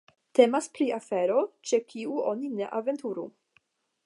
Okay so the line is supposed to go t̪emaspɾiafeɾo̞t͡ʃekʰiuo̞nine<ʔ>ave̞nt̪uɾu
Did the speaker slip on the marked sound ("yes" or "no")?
no